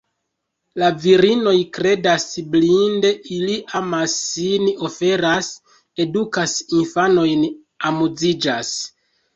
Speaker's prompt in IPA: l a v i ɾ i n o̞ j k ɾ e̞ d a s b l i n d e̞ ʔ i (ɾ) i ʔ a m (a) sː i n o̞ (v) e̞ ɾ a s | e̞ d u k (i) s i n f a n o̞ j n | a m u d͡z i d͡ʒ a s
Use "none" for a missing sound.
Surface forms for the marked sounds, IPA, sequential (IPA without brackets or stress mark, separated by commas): l, a, f, a